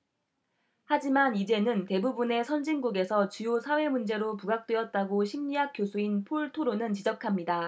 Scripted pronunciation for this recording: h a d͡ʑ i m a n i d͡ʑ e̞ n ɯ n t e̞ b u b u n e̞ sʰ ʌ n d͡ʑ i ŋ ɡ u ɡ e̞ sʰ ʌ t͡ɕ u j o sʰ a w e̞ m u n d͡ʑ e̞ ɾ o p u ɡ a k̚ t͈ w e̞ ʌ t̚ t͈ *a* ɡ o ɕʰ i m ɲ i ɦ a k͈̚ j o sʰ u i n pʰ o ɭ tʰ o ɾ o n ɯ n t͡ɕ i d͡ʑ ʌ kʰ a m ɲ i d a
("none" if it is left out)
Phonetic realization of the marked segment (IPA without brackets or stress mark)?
a